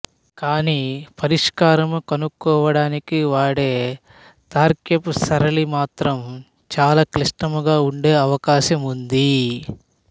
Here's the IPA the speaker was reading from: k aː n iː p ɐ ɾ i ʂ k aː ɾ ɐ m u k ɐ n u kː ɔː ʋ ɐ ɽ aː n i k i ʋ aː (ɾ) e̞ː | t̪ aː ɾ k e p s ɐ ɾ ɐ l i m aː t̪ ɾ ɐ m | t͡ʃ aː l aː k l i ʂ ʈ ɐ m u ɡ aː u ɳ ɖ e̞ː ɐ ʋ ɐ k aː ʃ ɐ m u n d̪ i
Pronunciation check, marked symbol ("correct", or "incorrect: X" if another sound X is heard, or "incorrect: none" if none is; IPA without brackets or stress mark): incorrect: ɽ